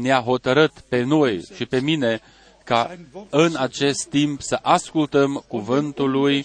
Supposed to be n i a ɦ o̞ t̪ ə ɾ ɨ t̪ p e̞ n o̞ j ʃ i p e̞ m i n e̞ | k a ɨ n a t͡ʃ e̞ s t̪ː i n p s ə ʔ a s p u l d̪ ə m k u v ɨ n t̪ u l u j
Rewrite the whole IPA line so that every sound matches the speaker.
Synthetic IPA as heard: n e a ɦ o̞ t̪ ə ɾ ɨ t̪ p e̞ n o̞ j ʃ i p e̞ m i n e̞ | k a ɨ n a t͡ʃ e̞ s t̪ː i m p s ə ʔ a s k u l t̪ ə m k u v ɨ n t̪ u l u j